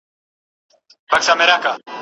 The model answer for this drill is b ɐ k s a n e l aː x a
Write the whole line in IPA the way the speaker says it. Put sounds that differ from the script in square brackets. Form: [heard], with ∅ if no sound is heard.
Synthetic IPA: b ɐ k s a [m] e [ɾ] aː [k] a